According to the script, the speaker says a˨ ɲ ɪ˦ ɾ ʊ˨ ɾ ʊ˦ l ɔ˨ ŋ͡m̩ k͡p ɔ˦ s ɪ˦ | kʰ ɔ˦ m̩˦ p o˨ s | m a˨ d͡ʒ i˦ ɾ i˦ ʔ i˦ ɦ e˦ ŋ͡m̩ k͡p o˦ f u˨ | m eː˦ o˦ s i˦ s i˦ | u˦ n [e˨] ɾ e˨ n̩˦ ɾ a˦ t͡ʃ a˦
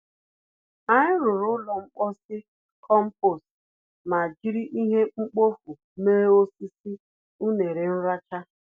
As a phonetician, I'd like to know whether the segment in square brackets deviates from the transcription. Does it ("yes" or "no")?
no